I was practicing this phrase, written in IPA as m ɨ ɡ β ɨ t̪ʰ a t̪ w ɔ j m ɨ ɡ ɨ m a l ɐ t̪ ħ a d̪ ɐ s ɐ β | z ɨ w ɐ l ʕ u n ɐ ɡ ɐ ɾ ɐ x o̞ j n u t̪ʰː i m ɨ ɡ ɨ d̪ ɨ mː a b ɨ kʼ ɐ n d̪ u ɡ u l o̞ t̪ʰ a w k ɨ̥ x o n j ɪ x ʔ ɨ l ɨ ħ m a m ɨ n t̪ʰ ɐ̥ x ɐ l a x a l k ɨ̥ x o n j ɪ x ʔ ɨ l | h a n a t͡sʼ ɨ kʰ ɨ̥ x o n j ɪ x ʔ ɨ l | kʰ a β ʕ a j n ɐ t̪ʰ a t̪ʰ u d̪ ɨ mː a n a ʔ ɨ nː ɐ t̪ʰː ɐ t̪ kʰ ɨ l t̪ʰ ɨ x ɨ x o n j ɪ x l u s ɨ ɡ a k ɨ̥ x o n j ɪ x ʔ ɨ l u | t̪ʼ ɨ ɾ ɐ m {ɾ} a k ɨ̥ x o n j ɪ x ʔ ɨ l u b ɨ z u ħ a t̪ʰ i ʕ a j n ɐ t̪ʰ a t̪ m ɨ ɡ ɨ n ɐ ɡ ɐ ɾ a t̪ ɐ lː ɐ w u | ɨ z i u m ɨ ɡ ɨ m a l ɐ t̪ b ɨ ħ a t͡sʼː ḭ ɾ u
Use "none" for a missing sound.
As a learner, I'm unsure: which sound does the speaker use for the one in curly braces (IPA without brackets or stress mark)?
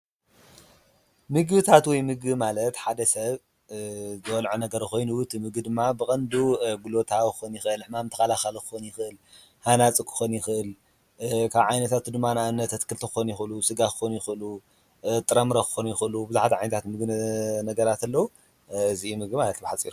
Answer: ɾ